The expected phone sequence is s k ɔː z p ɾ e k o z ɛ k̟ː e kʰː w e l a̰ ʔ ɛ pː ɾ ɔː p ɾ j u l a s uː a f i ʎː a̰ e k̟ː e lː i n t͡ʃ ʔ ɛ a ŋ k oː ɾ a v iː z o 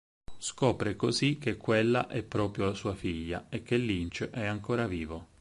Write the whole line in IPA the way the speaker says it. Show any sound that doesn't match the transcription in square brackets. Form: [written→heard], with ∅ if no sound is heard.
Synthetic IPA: s k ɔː [z→∅] p ɾ e k o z [ɛ→i] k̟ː e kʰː w e [l→lː] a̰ ʔ ɛ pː ɾ ɔː p ɾ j [u→o] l a s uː a f i ʎː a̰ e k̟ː e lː i n t͡ʃ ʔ ɛ a ŋ k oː ɾ a v iː [z→v] o